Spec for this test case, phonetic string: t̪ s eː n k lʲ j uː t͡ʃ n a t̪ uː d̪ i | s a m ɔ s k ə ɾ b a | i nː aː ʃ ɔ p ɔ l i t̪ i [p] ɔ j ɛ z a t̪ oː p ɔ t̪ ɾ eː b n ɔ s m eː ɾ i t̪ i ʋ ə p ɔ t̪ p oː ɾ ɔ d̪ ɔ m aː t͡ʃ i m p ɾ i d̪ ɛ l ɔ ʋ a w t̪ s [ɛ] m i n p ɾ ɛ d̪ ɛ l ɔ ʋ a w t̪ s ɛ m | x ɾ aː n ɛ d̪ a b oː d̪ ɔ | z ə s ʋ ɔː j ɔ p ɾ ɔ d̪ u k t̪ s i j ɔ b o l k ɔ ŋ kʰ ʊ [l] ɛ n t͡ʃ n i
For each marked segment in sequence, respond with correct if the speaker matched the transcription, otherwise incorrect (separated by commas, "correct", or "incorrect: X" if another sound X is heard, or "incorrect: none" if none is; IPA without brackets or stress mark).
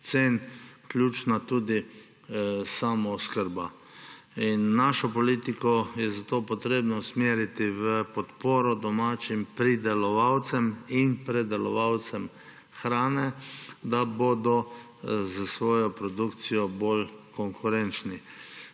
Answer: incorrect: k, correct, incorrect: ɾ